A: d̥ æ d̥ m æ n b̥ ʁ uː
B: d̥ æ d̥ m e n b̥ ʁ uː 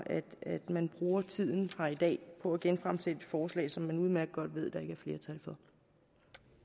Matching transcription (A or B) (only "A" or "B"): A